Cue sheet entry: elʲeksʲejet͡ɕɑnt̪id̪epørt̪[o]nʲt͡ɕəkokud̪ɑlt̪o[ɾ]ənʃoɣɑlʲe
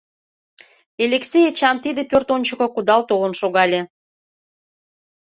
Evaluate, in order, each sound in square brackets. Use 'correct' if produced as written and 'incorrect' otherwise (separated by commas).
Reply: correct, incorrect